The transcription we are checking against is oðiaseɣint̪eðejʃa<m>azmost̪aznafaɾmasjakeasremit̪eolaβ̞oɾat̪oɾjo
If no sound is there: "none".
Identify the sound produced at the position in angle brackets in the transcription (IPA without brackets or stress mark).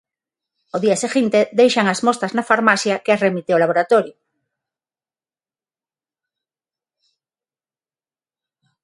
ŋ